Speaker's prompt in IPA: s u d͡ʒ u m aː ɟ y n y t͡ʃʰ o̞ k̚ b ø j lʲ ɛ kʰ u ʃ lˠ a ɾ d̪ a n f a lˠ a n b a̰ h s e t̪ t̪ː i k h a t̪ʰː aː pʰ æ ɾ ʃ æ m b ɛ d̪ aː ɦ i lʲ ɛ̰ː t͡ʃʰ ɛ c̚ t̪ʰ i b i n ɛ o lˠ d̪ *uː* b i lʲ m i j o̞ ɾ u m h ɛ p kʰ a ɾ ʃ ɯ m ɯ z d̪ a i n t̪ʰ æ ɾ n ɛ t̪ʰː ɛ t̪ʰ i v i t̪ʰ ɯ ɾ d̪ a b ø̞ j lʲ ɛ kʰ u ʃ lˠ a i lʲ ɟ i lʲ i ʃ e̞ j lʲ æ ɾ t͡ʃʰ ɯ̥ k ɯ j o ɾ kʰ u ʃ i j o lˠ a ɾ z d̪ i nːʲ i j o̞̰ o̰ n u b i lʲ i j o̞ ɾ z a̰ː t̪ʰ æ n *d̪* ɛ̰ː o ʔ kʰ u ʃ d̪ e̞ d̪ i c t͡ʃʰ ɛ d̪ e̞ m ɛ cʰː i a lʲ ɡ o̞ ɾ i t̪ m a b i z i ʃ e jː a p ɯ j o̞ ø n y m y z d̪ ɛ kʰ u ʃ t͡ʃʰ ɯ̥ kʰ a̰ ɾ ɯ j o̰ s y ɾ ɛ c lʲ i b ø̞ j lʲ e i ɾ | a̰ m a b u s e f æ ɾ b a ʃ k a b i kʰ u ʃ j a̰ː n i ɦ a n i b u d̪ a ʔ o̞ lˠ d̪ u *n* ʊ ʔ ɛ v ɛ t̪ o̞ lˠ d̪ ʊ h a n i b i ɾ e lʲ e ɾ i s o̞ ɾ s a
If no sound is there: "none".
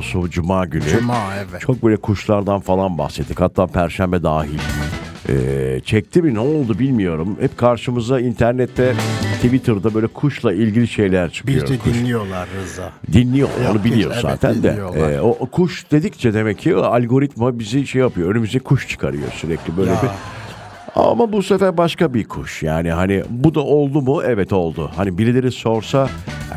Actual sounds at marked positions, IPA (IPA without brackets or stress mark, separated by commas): u, d̪, m